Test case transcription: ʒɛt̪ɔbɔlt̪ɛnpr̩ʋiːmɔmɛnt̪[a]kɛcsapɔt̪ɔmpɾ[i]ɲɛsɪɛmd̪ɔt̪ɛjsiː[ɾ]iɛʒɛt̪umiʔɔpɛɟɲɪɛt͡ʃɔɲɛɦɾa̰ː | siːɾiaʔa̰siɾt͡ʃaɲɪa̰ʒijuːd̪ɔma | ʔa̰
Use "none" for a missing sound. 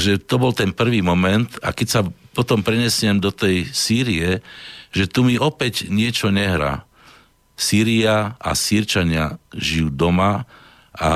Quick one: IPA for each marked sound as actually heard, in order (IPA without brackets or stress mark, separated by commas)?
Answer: a, ɛ, ɾ